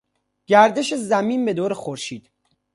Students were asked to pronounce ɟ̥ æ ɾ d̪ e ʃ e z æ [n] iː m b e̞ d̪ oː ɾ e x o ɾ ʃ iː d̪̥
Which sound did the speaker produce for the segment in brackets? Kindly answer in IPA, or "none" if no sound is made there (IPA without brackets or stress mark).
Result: m